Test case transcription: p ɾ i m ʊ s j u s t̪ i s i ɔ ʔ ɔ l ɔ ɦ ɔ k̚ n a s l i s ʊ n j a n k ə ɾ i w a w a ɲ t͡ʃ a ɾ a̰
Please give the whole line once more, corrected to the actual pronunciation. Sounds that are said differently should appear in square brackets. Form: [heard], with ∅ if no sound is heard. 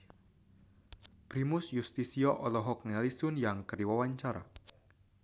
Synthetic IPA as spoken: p ɾ i m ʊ s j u s t̪ i s i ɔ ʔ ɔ l ɔ ɦ ɔ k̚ n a [∅] l i s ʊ n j a [ŋ] k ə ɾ i w a w a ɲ t͡ʃ a ɾ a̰